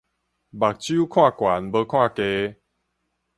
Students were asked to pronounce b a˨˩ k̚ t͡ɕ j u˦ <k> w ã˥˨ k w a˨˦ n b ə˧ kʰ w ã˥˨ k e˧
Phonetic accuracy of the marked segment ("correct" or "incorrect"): incorrect